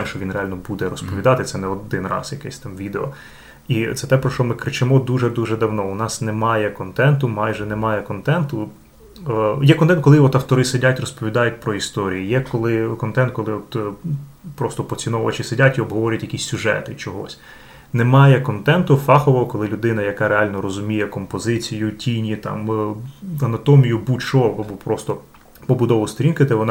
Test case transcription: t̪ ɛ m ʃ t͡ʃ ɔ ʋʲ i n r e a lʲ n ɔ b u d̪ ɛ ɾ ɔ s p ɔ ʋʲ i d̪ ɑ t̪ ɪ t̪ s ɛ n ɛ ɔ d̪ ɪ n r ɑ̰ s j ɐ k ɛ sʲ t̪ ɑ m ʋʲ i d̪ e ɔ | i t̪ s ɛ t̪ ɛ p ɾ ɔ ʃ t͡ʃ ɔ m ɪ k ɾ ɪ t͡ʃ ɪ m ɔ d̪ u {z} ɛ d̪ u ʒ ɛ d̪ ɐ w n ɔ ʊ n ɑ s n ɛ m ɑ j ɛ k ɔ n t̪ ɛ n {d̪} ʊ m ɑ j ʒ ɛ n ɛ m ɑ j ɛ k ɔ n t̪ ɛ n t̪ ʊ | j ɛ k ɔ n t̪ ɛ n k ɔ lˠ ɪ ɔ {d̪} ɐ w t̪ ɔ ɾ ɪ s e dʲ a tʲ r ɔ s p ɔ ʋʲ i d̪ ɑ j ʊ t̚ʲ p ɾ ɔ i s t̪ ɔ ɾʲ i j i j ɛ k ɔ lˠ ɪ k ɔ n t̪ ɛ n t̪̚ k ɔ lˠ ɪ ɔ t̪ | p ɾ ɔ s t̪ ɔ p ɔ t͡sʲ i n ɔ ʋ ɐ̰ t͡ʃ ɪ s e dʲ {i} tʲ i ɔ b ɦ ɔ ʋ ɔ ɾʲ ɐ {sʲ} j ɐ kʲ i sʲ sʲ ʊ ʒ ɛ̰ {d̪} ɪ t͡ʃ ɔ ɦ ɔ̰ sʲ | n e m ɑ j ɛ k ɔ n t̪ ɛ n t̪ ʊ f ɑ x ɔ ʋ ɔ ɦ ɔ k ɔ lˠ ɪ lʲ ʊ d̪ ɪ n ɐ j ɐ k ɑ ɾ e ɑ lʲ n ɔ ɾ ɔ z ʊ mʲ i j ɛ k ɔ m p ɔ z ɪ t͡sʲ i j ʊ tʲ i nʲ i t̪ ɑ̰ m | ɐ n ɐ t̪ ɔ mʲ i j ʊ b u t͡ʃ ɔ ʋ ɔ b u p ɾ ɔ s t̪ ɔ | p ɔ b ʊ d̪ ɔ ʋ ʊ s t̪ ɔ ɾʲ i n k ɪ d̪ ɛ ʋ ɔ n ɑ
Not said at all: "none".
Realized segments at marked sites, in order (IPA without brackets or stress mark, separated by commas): ʒ, t̪, t̪, a, tʲ, t̪